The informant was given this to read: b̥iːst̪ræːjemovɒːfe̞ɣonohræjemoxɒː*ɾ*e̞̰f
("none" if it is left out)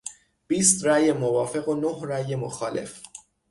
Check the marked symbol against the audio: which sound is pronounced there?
l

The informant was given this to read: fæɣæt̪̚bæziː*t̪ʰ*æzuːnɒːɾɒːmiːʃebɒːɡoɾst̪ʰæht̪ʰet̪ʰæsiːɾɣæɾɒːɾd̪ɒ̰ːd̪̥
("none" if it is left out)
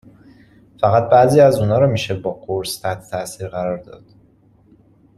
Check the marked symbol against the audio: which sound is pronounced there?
none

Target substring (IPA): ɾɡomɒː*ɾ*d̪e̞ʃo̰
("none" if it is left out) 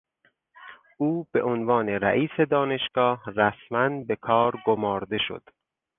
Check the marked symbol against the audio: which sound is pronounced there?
ɾ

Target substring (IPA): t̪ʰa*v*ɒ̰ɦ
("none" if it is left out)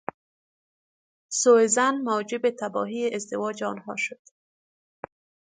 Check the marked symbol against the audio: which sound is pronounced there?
b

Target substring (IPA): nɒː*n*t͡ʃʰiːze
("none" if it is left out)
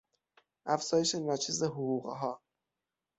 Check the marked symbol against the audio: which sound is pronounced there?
none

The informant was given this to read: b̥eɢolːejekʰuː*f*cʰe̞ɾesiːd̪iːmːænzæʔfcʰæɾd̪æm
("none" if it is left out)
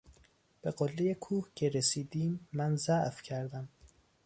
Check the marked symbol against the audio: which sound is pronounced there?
h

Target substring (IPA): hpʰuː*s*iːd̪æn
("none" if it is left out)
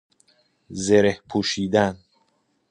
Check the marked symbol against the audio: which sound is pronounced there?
ʃ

